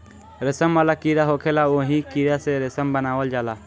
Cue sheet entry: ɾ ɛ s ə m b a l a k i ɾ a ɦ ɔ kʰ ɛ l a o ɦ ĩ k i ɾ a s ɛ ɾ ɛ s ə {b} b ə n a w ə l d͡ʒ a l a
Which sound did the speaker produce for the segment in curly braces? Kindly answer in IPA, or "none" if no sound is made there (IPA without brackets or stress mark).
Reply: m